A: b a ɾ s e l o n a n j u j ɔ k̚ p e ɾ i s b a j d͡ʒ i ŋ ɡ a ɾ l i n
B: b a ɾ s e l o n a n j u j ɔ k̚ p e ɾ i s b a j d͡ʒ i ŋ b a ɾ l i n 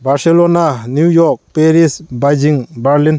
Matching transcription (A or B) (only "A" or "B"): B